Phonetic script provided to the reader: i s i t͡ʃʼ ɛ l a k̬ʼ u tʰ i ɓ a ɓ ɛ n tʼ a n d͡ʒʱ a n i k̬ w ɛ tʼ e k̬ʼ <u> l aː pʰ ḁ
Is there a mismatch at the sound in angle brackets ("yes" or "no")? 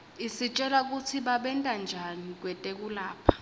no